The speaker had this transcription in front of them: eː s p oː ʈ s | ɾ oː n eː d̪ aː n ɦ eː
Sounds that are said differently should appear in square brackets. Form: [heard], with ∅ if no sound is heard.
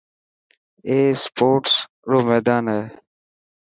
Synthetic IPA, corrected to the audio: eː s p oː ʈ s | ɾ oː [m] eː d̪ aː n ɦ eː